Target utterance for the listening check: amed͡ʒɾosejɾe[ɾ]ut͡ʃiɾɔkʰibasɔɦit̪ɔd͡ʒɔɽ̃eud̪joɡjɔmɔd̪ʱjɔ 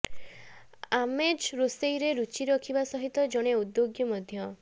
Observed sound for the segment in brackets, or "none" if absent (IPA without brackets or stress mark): ɾ